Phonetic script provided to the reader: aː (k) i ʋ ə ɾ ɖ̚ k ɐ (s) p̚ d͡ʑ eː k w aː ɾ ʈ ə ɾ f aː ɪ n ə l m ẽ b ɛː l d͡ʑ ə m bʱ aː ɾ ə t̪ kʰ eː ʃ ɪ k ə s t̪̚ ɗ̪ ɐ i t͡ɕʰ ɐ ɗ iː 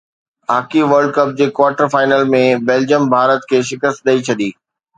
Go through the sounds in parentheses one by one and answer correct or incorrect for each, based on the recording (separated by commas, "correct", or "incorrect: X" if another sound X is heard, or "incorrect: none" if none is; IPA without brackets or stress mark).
correct, incorrect: none